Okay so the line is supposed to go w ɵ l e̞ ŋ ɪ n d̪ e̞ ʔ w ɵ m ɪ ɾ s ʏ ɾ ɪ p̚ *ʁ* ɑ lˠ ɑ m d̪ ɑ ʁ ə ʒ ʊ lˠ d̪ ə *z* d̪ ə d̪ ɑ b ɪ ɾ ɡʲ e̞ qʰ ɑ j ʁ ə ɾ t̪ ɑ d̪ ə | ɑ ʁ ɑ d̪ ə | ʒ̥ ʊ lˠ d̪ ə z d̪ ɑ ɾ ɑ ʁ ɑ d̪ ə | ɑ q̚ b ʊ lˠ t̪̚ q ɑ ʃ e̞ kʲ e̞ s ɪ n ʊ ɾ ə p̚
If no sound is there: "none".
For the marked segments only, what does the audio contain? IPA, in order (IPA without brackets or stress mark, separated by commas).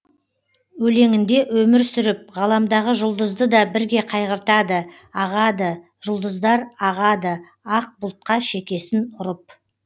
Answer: ʁ, z